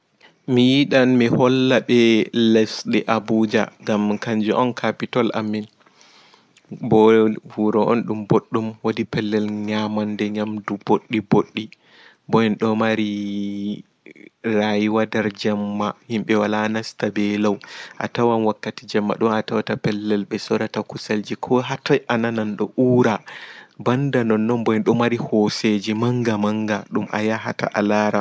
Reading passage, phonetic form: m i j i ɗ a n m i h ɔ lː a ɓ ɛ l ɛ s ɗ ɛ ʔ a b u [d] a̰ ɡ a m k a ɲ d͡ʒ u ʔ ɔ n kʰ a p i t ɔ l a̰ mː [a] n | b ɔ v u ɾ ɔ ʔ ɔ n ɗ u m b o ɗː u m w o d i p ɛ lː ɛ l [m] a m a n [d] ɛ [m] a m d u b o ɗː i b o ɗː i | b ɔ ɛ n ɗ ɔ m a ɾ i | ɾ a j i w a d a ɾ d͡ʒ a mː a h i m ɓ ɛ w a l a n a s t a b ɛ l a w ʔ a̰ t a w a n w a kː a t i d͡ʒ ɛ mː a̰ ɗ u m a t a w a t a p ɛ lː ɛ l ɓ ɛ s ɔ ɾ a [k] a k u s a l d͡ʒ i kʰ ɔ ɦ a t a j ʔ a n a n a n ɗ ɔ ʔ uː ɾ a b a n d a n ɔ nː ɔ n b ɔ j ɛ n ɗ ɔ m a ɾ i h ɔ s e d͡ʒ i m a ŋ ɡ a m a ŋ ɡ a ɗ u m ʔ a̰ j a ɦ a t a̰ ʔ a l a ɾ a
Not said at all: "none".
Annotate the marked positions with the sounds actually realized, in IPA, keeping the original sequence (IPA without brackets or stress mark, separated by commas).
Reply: d͡ʒ, i, ɲ, d, ɲ, t